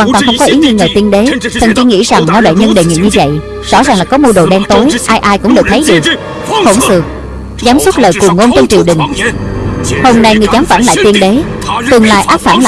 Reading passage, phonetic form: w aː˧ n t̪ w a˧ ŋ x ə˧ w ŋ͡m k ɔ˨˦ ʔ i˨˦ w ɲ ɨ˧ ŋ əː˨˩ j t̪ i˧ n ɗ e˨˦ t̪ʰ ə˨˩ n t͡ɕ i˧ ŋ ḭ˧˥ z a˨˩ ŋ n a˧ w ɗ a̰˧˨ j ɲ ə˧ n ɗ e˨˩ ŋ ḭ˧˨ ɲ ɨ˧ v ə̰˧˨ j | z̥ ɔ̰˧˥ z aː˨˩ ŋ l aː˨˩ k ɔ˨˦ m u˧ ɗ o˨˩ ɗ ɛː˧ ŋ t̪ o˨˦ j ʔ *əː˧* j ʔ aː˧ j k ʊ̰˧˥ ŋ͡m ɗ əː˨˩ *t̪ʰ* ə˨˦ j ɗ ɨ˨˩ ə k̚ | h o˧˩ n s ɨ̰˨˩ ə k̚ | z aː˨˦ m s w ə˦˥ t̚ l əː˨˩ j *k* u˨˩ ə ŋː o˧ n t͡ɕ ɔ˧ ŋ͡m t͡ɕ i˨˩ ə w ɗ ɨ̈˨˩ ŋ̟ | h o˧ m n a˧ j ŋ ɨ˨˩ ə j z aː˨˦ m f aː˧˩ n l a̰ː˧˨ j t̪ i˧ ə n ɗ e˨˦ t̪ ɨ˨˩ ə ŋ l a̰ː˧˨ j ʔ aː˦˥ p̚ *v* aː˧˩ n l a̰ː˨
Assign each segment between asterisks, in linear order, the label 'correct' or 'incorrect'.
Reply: incorrect: aː˧, correct, correct, incorrect: f

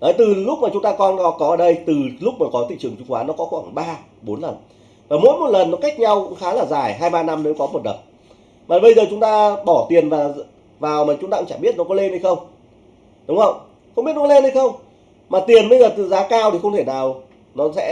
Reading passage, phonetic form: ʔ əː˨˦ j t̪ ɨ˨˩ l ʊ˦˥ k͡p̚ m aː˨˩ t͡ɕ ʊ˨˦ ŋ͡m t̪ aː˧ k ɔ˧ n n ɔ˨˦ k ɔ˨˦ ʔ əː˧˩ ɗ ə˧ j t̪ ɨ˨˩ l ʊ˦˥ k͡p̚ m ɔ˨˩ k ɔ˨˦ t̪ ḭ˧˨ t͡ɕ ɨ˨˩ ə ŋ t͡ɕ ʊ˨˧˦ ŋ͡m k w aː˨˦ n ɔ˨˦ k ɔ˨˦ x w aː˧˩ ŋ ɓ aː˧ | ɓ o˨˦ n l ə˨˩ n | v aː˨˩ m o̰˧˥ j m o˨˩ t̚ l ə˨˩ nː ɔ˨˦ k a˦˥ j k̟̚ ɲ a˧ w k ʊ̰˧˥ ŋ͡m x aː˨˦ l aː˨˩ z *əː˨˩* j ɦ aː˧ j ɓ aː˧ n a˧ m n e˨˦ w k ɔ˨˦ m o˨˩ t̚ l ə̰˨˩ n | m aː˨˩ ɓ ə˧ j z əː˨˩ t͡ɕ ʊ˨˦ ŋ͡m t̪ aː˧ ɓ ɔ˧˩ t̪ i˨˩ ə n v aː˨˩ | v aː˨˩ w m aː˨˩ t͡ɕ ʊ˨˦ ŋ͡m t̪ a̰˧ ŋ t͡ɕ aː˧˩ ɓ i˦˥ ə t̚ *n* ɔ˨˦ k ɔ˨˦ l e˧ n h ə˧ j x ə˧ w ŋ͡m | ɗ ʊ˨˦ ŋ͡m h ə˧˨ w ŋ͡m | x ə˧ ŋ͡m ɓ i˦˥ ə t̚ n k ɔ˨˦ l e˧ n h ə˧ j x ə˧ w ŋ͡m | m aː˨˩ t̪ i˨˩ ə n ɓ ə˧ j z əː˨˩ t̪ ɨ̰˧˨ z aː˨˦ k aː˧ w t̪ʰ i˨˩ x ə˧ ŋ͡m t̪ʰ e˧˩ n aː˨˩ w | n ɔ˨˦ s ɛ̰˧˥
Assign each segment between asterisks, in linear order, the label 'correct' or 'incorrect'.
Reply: incorrect: aː˨˩, correct

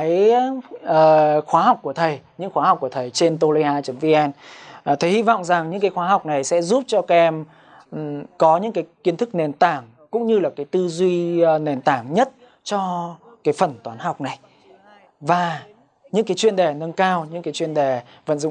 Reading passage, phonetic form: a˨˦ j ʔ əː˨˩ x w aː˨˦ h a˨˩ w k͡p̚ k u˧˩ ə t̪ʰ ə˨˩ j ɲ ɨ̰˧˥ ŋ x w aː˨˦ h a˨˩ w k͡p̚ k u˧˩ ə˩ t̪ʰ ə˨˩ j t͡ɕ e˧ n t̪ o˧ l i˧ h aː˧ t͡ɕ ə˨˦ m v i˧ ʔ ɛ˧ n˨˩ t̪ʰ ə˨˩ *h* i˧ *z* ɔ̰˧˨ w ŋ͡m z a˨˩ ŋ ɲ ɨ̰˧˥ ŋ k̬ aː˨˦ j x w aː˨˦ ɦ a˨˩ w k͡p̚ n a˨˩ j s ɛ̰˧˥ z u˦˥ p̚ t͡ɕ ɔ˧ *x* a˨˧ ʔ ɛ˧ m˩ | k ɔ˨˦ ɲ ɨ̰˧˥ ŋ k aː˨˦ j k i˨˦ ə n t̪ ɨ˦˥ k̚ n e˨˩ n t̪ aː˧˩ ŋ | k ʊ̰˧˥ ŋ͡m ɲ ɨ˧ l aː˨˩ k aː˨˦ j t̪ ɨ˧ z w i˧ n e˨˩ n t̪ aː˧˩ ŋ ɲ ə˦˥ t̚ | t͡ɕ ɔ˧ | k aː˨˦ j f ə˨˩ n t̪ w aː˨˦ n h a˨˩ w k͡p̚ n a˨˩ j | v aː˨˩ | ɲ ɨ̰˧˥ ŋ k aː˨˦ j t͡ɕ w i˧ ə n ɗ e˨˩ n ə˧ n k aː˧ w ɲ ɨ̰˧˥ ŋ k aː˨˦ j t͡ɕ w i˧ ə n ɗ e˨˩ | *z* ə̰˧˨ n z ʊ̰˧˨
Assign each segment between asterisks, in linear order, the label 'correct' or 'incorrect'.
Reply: correct, incorrect: v, incorrect: k, incorrect: v

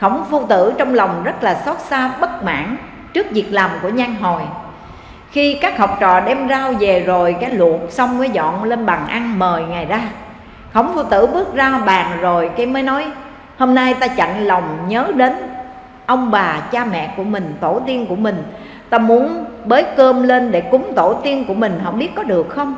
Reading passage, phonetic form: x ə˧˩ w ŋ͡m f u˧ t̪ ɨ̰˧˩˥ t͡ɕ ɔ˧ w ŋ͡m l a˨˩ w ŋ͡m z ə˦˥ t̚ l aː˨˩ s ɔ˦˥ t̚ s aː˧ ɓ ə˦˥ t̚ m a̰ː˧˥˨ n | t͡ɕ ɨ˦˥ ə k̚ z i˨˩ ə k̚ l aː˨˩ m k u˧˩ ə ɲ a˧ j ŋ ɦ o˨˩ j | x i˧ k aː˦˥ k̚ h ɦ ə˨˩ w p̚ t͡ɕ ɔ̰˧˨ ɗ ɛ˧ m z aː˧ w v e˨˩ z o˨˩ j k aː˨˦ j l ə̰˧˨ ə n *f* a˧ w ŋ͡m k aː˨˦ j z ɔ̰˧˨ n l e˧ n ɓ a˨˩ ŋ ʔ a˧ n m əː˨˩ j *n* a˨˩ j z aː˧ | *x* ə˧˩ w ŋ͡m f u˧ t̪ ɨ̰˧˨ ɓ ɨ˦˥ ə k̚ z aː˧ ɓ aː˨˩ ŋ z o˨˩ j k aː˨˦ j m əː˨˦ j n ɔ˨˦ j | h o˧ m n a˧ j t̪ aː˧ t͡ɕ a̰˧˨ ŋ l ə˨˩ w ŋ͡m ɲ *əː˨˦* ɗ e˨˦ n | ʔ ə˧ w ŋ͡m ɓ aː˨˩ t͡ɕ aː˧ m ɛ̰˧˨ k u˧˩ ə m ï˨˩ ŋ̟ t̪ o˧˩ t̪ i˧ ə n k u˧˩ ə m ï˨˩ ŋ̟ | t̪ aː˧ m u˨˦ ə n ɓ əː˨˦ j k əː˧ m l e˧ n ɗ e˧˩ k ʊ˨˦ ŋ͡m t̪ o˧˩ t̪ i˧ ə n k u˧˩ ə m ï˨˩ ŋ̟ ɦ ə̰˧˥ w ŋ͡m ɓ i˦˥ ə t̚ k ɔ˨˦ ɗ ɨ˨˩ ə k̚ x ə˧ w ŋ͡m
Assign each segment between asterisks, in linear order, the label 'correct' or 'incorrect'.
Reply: incorrect: s, incorrect: ŋ, correct, correct

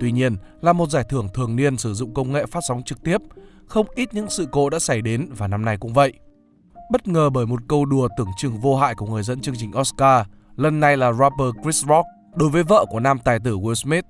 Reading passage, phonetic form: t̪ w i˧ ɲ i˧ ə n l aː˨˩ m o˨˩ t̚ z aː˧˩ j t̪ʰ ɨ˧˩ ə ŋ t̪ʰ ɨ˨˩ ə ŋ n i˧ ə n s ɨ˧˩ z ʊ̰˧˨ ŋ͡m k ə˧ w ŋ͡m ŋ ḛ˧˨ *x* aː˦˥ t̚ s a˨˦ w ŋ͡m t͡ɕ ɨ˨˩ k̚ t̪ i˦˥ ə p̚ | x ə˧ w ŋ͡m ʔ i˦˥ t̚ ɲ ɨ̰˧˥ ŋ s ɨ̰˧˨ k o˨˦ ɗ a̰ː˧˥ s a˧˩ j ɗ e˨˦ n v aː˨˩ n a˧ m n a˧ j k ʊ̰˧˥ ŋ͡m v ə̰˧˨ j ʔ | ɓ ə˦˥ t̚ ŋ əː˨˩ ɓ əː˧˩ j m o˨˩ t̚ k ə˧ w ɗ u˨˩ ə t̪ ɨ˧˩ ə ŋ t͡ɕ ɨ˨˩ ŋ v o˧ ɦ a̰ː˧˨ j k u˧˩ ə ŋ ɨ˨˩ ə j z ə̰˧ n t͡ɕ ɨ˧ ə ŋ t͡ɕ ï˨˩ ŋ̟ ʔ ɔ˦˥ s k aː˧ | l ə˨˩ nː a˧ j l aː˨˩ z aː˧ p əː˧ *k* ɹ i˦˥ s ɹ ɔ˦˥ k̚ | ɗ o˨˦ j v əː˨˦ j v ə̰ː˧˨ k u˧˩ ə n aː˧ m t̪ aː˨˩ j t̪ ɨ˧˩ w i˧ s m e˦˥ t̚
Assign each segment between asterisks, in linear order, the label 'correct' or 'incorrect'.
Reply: incorrect: f, correct

